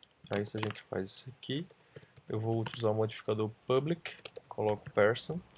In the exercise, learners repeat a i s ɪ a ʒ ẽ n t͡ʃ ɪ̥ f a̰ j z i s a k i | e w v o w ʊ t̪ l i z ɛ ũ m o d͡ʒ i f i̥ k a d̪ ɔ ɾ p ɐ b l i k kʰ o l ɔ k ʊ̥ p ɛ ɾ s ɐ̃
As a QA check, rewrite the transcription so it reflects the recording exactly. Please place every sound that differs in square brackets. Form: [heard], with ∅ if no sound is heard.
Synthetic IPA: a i s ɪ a ʒ ẽ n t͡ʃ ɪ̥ f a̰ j z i s a k i | e w v o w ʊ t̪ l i z [a] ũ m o d͡ʒ i f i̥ k a d̪ [o] ɾ p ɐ b l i k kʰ o l ɔ k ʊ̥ p ɛ ɾ s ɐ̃